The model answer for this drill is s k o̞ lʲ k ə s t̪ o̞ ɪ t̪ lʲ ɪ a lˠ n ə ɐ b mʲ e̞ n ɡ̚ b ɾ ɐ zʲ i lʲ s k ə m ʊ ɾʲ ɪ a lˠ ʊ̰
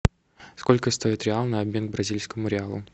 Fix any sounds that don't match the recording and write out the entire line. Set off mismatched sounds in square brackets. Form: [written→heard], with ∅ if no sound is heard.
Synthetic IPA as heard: s k o̞ lʲ k ə s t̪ o̞ ɪ t̪ [lʲ→ɾʲ] ɪ a lˠ n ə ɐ b mʲ e̞ n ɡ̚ b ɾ ɐ zʲ i lʲ s k ə m ʊ ɾʲ ɪ a lˠ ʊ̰